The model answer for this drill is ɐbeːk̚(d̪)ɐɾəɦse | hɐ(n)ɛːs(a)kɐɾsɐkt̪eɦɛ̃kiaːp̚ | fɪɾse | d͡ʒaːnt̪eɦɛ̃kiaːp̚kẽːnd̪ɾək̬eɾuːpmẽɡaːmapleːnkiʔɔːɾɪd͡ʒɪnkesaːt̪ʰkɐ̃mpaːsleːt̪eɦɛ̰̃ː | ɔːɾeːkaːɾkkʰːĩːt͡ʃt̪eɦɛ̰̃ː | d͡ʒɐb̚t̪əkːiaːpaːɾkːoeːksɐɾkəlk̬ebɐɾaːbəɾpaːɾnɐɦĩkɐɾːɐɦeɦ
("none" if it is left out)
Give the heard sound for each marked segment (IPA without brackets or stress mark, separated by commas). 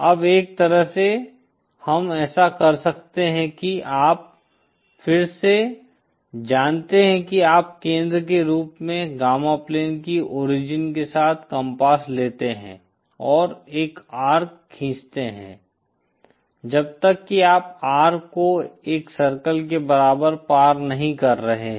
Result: t̪, m, a